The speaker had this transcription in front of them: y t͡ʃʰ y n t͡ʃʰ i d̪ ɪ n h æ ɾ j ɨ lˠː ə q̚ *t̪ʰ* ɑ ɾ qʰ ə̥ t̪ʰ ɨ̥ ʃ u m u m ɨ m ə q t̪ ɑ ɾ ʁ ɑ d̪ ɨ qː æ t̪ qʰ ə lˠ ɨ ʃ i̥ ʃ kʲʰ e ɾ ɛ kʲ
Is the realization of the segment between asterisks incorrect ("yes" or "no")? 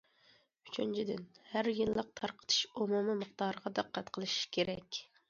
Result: no